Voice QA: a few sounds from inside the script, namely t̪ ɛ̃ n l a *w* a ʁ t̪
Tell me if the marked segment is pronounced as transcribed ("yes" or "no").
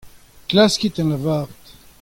no